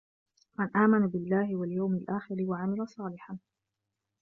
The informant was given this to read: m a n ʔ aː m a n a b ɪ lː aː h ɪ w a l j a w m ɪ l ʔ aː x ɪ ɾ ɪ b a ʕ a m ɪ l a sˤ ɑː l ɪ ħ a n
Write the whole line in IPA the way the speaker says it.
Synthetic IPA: m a n ʔ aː m a n a b ɪ lː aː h ɪ w a l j a w m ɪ l ʔ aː x ɪ ɾ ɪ w a ʕ a m ɪ l a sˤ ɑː l ɪ ħ a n